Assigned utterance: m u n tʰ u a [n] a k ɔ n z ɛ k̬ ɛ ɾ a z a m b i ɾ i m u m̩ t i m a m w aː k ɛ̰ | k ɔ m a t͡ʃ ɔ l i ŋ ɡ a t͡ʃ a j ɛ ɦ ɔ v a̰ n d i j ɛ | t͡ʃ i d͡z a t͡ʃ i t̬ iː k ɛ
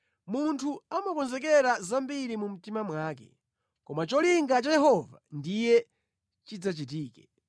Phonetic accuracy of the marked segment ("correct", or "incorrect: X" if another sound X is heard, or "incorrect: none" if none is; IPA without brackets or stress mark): incorrect: m